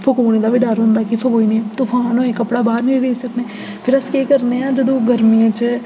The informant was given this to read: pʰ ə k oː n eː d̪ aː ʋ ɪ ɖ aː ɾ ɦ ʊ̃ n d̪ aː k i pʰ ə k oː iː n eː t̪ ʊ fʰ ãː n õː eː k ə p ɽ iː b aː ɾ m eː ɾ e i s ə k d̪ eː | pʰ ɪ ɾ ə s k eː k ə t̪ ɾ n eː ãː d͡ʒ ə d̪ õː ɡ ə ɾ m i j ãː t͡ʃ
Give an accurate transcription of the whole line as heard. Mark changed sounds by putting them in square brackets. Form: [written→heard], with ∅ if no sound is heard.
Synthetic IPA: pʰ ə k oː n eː d̪ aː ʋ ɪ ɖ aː ɾ ɦ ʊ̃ n d̪ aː k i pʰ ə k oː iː n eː t̪ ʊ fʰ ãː n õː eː k ə p ɽ [iː→aː] b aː ɾ [m→n] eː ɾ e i s ə k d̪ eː | pʰ ɪ ɾ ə s k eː k ə [t̪→∅] ɾ n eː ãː d͡ʒ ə d̪ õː ɡ ə ɾ m i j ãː t͡ʃ